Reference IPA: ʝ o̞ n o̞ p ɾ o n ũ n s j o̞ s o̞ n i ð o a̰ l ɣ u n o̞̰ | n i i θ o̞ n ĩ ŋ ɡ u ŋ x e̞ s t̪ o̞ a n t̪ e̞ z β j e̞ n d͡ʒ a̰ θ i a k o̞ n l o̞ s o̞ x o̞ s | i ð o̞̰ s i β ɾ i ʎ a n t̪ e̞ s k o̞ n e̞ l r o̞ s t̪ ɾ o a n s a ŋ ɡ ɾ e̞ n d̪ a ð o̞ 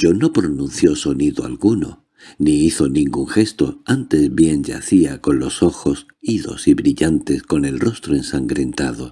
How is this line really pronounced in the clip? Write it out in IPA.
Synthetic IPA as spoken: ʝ o̞ n o̞ p ɾ o n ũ n θ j o̞ s o̞ n i ð o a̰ l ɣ u n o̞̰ | n i i θ o̞ n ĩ ŋ ɡ u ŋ x e̞ s t̪ o̞ a n t̪ e̞ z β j e̞ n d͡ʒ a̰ θ i a k o̞ n l o̞ s o̞ x o̞ s | i ð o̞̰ s i β ɾ i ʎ a n t̪ e̞ s k o̞ n e̞ l r o̞ s t̪ ɾ o e n s a ŋ ɡ ɾ e̞ n t̪ a ð o̞

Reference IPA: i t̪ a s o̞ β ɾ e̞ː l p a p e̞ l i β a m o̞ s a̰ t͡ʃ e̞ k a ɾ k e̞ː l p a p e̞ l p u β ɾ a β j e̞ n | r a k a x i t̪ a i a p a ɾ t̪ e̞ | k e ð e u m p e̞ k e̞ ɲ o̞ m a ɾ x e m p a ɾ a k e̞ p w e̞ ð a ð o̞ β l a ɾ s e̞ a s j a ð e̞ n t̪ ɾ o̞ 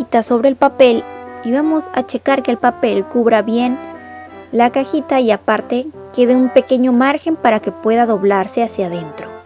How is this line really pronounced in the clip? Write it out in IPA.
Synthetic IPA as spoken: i t̪ a s o̞ β ɾ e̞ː l p a p e̞ l i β a m o̞ s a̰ t͡ʃ e̞ k a ɾ k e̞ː l p a p e̞ l k u β ɾ a β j e̞ n | l a k a x i t̪ a i a p a ɾ t̪ e̞ | k e ð e u m p e̞ k e̞ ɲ o̞ m a ɾ x e m p a ɾ a k e̞ p w e̞ ð a ð o̞ β l a ɾ s e̞ a s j a ð e̞ n t̪ ɾ o̞

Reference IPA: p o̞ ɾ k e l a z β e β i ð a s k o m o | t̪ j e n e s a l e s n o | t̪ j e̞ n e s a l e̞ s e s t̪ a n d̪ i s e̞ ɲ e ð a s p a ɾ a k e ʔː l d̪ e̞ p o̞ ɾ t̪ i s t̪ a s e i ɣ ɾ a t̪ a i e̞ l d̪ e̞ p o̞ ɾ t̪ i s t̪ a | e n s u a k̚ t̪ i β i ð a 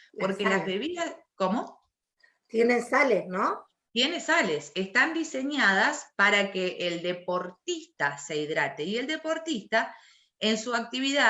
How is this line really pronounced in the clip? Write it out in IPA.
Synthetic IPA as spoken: p o̞ ɾ k e l a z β e β i ð a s k o m o | t̪ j e n e s a l e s n o | t̪ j e̞ n e s a l e̞ s e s t̪ a n d̪ i s e̞ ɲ a ð a s p a ɾ a k e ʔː l d̪ e̞ p o̞ ɾ t̪ i s t̪ a s e i ð ɾ a t̪ e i e̞ l d̪ e̞ p o̞ ɾ t̪ i s t̪ a | e n s u a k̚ t̪ i β i ð a

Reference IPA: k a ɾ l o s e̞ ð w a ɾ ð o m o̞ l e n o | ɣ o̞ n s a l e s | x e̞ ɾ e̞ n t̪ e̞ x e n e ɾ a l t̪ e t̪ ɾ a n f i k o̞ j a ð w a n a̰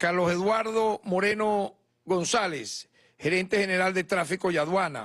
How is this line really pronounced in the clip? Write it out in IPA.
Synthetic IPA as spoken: k a ɾ l o s e̞ ð w a ɾ ð o m o̞ ɾ e n o | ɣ o̞ n s a l e s | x e̞ ɾ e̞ n t̪ e̞ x e n e ɾ a l d̪ e t̪ ɾ a f i k o̞ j a ð w a n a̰

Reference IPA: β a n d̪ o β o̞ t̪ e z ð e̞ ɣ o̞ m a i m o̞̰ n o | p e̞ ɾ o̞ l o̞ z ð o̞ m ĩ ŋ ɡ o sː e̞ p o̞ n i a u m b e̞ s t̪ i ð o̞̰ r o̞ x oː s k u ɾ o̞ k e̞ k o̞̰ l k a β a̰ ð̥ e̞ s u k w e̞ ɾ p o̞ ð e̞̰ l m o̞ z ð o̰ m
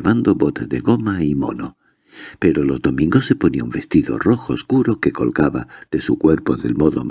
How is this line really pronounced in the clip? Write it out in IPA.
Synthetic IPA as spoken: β a n d̪ o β o̞ t̪ e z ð e̞ ɣ o̞ m a i m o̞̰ n o | p e̞ ɾ o̞ l o̞ z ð o̞ m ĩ ŋ ɡ o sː e̞ p o̞ n i a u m b e̞ s t̪ i ð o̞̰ r o̞ x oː s k u ɾ o̞ k e̞ k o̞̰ l k a β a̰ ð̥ e̞ s u k w e̞ ɾ p o̞ ð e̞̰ l m o̞ ð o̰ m

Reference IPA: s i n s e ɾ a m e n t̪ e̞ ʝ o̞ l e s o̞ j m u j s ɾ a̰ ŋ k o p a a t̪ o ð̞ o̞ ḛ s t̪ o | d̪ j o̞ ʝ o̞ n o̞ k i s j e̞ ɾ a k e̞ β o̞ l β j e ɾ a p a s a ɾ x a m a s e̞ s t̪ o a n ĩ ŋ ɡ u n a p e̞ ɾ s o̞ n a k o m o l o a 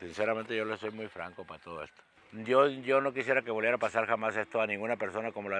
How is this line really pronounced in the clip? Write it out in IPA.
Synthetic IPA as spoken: s i n s e ɾ a m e n t̪ e̞ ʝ o̞ l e s o̞ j m u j f ɾ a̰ ŋ k o p a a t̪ o ð̞ o̞ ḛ s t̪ o | d̪ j o̞ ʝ o̞ n o̞ k i s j e̞ ɾ a k e̞ β o̞ l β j e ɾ a p a s a ɾ x a m a s e̞ s t̪ o a n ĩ ŋ ɡ u n a p e̞ ɾ s o̞ n a k o m o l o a

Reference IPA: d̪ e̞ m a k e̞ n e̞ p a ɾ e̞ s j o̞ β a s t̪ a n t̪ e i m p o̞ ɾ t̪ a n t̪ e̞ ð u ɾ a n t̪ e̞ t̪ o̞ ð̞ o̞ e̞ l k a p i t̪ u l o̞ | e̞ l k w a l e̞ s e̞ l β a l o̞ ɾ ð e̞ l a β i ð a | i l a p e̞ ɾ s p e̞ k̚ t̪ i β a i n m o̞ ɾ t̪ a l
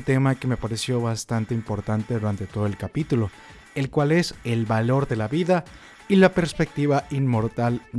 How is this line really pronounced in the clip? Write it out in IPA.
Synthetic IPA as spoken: t̪ e̞ m a k e̞ m e̞ p a ɾ e̞ s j o̞ β a s t̪ a n t̪ e i m p o̞ ɾ t̪ a n t̪ e̞ ð u ɾ a n t̪ e̞ t̪ o̞ ð̞ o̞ e̞ l k a p i t̪ u l o̞ | e̞ l k w a l e̞ s e̞ l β a l o̞ ɾ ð e̞ l a β i ð a | i l a p e̞ ɾ s p e̞ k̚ t̪ i β a i n m o̞ ɾ t̪ a l

